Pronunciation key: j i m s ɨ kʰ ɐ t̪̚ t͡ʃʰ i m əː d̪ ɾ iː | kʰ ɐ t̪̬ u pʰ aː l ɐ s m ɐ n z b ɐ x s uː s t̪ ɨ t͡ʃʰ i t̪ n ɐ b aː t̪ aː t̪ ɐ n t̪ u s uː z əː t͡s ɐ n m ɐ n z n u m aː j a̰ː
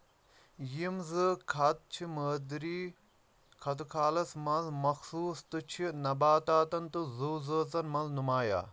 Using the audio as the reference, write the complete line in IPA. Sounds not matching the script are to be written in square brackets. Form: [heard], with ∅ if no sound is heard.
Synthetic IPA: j i m [z] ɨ kʰ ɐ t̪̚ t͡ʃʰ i m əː d̪ ɾ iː | kʰ ɐ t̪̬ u [kʰ] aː l ɐ s m ɐ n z [m] ɐ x s uː s t̪ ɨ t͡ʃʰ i [∅] n ɐ b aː t̪ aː t̪ ɐ n t̪ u [z] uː z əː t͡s ɐ n m ɐ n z n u m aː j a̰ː